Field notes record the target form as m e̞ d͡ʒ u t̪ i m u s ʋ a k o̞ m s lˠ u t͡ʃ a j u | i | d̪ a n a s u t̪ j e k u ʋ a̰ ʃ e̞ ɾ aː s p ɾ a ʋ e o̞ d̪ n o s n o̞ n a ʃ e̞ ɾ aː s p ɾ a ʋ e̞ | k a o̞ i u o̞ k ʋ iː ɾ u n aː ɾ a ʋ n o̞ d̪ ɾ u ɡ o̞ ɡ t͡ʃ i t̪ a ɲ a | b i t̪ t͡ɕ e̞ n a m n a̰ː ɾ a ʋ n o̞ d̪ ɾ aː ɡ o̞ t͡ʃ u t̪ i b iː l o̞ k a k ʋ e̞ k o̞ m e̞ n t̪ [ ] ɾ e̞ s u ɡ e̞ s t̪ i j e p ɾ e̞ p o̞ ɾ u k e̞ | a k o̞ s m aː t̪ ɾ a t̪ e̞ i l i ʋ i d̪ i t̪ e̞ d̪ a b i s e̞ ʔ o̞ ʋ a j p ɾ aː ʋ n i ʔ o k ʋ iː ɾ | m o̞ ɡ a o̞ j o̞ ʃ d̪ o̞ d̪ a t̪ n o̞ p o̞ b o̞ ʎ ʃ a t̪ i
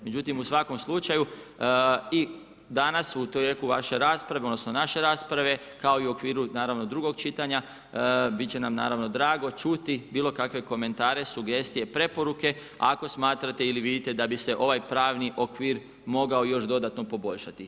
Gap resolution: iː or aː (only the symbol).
aː